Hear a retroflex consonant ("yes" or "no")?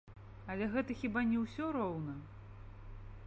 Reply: no